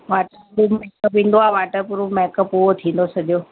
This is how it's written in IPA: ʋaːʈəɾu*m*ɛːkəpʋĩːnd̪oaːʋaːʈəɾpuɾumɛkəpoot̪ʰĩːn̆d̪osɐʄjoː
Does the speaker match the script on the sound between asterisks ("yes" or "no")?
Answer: yes